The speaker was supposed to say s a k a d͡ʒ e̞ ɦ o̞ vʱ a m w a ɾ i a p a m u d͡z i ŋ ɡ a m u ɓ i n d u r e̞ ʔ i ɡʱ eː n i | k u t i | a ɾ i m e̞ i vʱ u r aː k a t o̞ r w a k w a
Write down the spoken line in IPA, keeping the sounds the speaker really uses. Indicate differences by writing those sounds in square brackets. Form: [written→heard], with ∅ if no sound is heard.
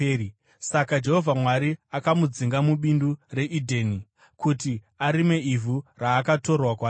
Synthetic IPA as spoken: s a k a d͡ʒ e̞ ɦ o̞ vʱ a m w a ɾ i a [p→k] a m u d͡z i ŋ ɡ a m u ɓ i n d u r e̞ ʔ i [ɡʱ→dʱ] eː n i | k u t i | a ɾ i m e̞ i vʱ u r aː k a t o̞ r w a k w a